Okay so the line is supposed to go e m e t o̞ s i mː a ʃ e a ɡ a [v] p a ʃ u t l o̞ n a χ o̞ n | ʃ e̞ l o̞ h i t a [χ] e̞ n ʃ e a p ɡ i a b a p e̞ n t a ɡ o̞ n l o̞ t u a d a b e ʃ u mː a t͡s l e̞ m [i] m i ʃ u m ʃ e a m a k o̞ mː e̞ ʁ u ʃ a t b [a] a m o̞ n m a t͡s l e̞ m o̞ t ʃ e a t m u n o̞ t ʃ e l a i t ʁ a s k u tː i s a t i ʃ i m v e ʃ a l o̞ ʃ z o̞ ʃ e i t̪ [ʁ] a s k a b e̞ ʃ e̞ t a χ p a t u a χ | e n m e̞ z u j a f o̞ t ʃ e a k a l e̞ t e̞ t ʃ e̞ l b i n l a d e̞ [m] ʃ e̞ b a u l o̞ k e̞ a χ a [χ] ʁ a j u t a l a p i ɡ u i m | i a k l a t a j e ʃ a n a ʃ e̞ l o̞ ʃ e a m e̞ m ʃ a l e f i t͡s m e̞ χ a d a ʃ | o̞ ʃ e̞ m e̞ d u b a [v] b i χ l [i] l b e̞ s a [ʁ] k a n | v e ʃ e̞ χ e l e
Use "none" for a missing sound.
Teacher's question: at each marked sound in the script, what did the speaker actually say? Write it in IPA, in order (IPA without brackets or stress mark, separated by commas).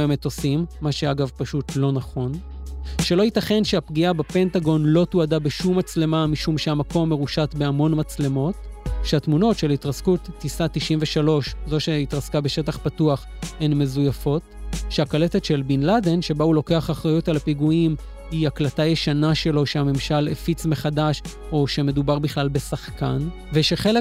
v, χ, a, e, ʁ, n, χ, ʁ, a, χ